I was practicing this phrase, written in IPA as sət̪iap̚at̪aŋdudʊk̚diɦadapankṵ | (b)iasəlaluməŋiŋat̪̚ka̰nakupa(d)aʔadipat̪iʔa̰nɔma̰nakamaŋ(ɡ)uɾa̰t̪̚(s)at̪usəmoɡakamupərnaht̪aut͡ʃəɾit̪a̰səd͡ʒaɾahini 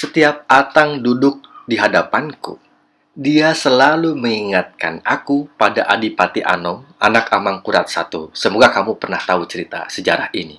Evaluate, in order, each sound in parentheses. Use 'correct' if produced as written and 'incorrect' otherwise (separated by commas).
incorrect, correct, incorrect, correct